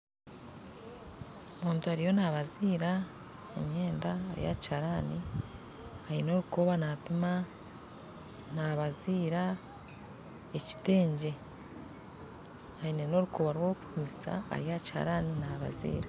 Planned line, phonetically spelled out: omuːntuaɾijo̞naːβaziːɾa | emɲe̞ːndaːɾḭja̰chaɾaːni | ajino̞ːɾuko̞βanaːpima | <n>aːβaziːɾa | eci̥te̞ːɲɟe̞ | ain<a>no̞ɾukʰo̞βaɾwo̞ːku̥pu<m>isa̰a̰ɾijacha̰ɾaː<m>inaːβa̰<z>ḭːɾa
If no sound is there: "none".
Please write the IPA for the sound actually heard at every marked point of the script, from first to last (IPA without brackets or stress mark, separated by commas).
n, e, m, n, z